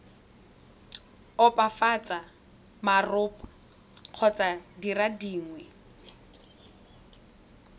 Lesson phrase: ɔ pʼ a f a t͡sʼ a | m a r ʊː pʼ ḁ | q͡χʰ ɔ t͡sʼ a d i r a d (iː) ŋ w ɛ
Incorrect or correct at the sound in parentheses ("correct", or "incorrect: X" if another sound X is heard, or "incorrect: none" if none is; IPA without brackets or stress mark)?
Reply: correct